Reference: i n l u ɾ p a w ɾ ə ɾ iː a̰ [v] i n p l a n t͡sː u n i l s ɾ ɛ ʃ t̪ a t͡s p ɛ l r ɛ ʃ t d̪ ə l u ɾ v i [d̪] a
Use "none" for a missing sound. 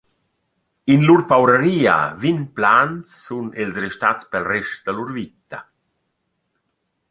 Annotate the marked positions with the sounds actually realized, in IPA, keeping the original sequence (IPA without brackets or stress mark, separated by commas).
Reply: v, t̪